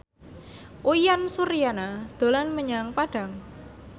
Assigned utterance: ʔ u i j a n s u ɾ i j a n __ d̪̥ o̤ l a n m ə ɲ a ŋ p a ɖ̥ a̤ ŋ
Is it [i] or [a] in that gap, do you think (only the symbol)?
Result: a